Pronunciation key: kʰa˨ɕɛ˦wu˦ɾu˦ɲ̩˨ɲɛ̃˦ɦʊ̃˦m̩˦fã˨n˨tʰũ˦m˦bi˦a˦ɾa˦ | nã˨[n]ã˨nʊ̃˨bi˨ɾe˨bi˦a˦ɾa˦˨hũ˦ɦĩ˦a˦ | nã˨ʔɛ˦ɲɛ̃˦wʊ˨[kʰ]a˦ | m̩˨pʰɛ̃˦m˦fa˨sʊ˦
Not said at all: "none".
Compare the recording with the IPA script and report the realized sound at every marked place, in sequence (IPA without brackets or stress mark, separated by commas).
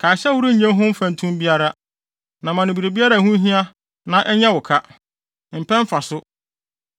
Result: m, kʰ